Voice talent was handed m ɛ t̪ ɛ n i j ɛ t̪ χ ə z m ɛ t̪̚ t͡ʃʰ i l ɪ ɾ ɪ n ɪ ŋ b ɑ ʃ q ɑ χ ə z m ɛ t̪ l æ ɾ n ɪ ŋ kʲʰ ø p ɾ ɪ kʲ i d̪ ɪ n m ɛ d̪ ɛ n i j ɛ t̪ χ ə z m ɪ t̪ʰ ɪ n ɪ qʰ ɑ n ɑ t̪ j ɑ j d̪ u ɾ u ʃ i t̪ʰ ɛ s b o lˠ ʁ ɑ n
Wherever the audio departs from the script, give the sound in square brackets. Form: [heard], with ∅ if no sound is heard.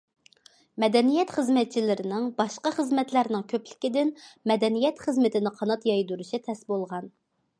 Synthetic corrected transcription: m ɛ [d̪] ɛ n i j ɛ t̪ χ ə z m ɛ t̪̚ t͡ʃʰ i l ɪ ɾ ɪ n ɪ ŋ b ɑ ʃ q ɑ χ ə z m ɛ t̪ l æ ɾ n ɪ ŋ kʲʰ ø p [l] ɪ kʲ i d̪ ɪ n m ɛ d̪ ɛ n i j ɛ t̪ χ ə z m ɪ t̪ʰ ɪ n ɪ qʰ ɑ n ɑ t̪ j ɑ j d̪ u ɾ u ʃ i t̪ʰ ɛ s b o lˠ ʁ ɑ n